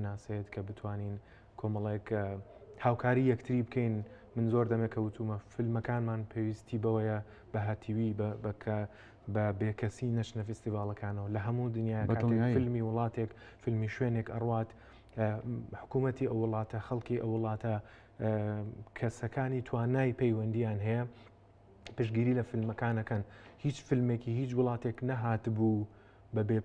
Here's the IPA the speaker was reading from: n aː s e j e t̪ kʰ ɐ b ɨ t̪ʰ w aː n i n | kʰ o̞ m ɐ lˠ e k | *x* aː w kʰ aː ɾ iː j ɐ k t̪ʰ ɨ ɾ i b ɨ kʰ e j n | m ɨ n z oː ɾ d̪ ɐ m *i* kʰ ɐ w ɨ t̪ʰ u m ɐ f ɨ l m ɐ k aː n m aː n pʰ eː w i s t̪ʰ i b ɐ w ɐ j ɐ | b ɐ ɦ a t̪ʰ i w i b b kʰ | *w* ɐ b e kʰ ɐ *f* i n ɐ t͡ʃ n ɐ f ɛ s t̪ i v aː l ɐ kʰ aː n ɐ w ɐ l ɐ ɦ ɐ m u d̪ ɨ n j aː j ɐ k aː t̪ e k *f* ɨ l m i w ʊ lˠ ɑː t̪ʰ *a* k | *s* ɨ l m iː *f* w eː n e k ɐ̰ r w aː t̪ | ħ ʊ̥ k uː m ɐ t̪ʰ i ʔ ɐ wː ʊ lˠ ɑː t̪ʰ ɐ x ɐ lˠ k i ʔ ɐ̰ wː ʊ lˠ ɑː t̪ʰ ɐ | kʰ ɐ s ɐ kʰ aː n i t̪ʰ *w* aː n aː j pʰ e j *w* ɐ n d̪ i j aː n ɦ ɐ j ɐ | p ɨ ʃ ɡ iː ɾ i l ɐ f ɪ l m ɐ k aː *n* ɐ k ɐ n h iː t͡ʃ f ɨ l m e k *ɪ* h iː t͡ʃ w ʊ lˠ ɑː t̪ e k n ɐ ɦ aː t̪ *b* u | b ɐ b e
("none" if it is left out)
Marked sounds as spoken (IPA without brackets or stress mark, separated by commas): h, e, b, s, f, e, f, ʃ, w, w, n, i, b